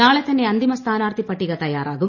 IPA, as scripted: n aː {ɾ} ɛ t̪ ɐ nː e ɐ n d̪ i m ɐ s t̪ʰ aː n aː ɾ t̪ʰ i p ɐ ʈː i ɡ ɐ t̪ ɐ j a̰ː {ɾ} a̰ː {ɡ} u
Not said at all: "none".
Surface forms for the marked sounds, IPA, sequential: ɭ, ɾ, ɡ

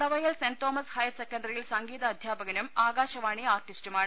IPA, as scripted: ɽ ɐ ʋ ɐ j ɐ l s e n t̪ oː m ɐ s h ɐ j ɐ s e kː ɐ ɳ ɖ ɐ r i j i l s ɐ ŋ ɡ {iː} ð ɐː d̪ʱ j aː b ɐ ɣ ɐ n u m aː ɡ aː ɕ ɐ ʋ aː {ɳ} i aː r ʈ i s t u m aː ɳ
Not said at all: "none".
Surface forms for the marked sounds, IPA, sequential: iː, ɳ

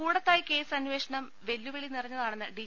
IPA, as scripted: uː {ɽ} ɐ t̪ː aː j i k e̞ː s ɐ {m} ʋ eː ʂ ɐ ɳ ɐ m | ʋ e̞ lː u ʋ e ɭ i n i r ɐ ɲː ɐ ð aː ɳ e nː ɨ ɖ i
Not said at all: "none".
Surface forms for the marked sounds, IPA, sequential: ɽ, n

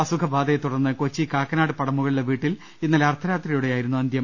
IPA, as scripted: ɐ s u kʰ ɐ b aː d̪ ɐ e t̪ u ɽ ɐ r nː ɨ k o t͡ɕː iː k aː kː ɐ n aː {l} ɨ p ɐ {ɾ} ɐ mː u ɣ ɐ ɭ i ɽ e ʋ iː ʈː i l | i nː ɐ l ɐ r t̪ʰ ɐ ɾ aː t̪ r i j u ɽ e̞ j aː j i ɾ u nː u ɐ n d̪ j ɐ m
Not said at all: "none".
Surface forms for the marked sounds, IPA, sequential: ɽ, ɽ

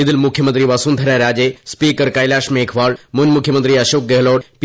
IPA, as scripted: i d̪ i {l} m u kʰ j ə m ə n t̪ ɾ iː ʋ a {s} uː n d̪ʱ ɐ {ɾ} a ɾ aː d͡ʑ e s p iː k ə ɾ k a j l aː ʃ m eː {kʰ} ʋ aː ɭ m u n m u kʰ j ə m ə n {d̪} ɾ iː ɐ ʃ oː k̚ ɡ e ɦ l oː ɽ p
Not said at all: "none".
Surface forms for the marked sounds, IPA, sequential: l, s, ɾ, kʰ, t̪

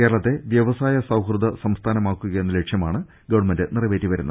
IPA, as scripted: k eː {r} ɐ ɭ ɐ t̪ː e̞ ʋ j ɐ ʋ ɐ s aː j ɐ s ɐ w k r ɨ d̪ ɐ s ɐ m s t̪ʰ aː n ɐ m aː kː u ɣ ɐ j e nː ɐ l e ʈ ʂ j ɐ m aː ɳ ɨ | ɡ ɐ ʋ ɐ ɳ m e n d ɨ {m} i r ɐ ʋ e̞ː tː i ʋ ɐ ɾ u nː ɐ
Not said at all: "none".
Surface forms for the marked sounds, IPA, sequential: ɾ, n

